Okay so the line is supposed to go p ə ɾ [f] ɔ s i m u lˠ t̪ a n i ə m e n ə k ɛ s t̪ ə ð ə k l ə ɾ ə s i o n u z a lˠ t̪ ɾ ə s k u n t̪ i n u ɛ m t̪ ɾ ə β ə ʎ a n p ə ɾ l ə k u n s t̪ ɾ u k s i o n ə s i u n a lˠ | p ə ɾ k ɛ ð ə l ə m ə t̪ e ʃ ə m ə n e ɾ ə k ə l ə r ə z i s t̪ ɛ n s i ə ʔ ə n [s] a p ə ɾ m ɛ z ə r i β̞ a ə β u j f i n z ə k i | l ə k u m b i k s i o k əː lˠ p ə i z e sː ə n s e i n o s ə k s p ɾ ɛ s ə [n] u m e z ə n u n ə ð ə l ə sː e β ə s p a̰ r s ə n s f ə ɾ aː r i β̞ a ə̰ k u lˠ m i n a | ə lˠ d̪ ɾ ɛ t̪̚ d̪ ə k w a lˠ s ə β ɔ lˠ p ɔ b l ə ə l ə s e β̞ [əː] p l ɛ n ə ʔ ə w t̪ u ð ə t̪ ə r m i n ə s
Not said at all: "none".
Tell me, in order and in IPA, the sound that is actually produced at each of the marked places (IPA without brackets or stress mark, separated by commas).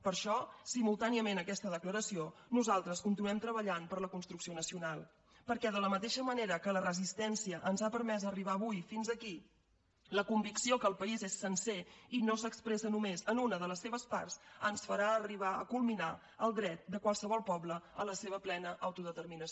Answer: ʃ, z, n, ə